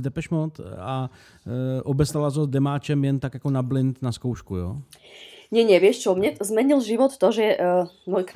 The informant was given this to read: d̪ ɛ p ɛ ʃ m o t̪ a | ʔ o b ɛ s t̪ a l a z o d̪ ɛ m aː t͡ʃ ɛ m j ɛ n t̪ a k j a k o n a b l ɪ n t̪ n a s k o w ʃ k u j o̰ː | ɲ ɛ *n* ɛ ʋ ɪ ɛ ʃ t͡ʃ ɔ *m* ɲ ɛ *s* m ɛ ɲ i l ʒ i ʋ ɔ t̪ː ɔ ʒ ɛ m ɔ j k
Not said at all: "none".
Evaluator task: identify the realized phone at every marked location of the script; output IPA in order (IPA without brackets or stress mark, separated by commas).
ɲ, m, z